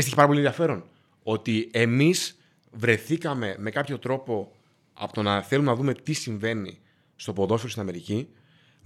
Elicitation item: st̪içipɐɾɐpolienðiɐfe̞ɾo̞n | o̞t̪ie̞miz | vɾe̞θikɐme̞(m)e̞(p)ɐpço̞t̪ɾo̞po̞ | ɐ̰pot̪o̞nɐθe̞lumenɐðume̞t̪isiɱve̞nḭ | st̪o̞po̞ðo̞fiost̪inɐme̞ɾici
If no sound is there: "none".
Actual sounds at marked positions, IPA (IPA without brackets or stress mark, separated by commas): m, k